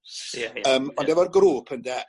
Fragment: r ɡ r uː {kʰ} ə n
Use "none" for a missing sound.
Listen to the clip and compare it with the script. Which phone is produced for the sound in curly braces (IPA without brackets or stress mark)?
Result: pʰ